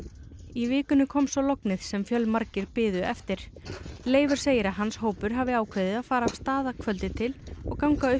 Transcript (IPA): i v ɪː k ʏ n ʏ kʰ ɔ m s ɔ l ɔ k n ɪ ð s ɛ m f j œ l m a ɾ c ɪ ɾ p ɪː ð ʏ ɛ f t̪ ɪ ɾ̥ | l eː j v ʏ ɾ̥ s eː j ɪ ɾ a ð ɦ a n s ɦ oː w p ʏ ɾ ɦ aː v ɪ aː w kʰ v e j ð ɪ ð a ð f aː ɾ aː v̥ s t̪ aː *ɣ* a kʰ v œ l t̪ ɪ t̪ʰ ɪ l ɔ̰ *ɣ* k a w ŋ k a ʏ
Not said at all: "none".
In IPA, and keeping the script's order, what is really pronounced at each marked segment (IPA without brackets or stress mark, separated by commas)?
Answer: ð, ɣ